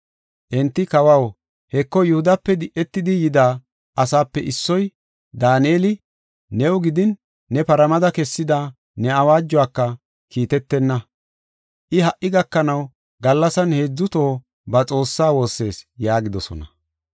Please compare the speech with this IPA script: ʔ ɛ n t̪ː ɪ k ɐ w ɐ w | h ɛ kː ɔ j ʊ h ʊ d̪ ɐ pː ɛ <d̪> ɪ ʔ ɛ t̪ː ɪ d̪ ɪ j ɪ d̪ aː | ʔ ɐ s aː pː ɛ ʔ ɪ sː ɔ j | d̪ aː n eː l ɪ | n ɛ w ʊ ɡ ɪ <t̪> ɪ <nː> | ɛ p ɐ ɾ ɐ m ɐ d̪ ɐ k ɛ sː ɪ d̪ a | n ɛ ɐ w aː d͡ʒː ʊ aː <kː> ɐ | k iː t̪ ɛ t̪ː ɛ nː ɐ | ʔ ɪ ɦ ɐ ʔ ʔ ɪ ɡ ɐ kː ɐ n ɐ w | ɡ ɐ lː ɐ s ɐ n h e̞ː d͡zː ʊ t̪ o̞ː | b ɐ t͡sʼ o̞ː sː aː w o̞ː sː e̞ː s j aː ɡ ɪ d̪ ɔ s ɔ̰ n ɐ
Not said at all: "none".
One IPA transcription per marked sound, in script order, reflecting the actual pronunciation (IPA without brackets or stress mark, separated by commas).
d̪, d̪, nː, kː